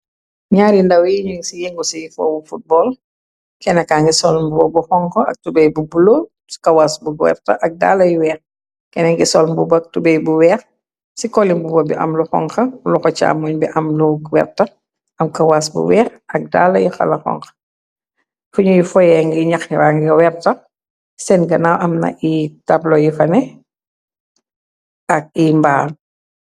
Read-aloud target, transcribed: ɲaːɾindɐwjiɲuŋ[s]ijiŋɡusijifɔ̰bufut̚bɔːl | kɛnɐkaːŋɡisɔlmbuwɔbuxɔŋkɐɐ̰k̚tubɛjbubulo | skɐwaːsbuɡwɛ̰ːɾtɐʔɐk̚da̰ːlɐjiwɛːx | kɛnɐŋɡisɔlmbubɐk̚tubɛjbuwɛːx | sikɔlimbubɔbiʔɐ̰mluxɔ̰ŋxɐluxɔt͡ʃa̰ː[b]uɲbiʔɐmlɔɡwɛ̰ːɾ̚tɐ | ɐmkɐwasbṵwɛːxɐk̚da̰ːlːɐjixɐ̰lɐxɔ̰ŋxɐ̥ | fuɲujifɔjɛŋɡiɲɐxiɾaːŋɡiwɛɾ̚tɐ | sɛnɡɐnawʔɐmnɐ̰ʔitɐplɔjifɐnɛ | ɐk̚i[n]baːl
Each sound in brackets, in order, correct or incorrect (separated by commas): correct, incorrect, incorrect